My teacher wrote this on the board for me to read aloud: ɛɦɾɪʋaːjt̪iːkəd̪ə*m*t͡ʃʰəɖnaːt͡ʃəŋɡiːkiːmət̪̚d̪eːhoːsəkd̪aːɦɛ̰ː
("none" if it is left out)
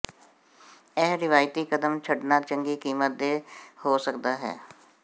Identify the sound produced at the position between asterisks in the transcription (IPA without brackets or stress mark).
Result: m